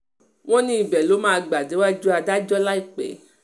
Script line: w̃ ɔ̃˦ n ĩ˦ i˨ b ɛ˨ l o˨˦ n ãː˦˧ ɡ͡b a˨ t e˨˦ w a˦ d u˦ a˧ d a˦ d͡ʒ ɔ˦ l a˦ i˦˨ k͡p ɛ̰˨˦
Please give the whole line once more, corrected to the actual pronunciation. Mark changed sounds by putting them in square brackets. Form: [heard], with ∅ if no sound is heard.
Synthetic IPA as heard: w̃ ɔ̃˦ n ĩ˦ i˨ b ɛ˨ l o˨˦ [m] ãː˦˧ ɡ͡b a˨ [d] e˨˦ w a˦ [d͡ʒ] u˦ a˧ d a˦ d͡ʒ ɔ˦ l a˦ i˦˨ k͡p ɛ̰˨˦